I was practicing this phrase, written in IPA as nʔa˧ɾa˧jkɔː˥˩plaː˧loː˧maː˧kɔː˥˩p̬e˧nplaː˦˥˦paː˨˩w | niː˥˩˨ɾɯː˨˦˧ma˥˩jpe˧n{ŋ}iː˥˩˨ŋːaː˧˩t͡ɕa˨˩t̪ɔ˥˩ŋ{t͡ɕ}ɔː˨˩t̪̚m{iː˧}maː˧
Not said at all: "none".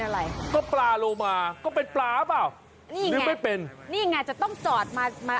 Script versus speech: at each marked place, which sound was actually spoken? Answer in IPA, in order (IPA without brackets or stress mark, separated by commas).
n, t͡ɕ, aː˧